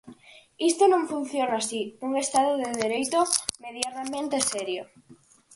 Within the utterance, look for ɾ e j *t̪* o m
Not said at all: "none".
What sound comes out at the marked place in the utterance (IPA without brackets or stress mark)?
t̪